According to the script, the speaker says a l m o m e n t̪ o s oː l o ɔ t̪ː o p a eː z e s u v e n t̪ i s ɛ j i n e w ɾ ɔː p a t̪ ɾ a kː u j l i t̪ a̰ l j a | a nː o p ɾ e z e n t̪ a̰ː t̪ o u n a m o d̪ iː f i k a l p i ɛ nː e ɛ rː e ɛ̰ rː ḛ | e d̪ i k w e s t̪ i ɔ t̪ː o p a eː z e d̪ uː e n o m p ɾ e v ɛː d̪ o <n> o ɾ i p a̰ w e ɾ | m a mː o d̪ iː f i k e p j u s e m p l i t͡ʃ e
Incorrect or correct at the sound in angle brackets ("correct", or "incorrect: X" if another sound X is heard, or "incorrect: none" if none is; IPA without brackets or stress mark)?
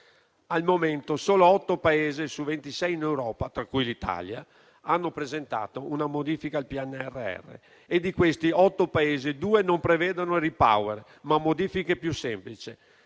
correct